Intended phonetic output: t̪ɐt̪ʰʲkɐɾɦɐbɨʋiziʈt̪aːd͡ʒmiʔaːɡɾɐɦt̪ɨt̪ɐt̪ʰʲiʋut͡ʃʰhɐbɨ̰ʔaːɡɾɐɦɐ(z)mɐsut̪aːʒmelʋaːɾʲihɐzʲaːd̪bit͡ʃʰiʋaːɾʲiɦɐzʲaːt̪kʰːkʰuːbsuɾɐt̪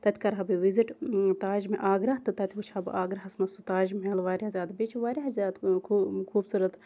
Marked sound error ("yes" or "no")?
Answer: yes